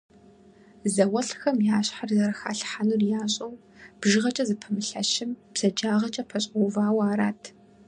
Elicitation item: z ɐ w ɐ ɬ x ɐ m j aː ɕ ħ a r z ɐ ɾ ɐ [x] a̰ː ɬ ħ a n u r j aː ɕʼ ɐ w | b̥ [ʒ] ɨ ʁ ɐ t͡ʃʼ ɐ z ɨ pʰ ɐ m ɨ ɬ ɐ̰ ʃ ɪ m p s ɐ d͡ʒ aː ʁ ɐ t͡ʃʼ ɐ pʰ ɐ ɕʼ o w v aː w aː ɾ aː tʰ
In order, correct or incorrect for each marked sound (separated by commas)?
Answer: correct, correct